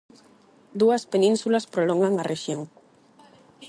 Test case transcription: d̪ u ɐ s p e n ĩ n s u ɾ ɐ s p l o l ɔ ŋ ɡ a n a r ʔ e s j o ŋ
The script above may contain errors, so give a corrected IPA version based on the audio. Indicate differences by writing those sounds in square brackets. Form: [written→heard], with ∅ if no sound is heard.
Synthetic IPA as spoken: d̪ u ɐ s p e n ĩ n s u [ɾ→l] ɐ s p [l→ɾ] o l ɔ ŋ ɡ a [n→ŋ] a r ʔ e [s→ʃ] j o ŋ